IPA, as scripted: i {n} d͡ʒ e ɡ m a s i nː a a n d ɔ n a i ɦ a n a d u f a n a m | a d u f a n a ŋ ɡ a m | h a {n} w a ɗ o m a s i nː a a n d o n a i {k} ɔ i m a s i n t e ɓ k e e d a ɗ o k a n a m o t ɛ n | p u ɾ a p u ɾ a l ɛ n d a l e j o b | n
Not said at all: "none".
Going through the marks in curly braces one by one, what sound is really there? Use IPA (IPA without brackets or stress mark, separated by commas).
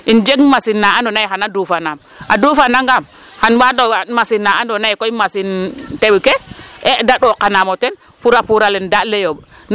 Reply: n, n, k